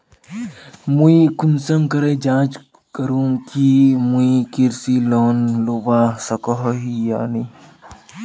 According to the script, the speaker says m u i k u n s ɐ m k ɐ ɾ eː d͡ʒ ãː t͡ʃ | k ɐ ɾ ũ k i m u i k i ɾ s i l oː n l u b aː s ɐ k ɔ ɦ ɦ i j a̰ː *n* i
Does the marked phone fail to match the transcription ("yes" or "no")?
no